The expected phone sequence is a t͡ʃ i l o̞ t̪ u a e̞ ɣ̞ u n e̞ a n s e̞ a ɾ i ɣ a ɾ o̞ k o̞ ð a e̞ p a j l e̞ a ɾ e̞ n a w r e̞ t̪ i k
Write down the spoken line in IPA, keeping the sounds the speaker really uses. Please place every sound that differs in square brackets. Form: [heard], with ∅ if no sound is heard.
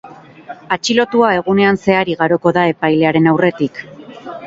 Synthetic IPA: a t͡ʃ i l o̞ t̪ u a e̞ ɣ̞ u n e̞ a n s e̞ a ɾ i ɣ a ɾ o̞ k o̞ ð a e̞ p a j l e̞ a ɾ e̞ n a w r e̞ t̪ i k